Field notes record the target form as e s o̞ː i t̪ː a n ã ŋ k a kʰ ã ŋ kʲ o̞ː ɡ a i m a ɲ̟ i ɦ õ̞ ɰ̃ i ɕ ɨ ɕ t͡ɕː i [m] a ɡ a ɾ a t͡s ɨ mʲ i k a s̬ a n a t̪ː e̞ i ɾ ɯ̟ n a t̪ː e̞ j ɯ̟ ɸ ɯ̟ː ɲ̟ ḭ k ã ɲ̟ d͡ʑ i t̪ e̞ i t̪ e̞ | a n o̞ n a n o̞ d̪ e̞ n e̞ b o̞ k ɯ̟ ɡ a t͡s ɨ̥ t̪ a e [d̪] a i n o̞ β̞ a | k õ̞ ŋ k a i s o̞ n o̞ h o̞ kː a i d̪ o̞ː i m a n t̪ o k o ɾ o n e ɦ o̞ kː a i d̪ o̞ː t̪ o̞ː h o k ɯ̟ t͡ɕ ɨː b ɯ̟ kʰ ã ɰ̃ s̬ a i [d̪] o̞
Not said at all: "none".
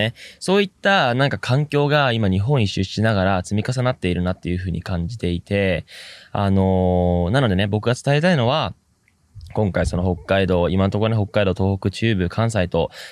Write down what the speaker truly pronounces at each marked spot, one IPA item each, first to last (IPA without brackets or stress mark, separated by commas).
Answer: n, t̪, t̪